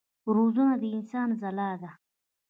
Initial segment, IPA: ɾ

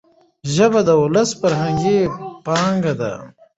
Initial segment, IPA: ʒ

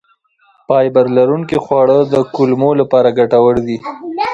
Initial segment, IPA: p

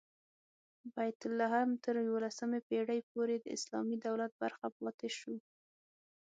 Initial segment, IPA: b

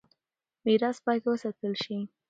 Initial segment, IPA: m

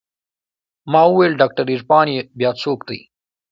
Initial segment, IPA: m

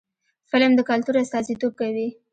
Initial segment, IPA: f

